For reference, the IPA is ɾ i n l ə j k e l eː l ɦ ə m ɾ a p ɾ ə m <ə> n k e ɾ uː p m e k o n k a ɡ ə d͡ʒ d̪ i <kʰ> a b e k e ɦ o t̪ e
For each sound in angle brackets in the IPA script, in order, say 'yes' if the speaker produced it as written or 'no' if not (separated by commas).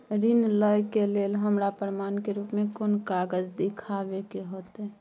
no, yes